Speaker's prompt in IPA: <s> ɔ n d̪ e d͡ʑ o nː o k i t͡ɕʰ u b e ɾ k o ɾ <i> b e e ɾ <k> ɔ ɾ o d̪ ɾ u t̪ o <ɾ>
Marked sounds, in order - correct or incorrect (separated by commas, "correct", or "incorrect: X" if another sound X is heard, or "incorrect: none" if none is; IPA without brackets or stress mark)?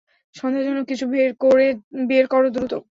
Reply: incorrect: ʃ, incorrect: e, correct, incorrect: none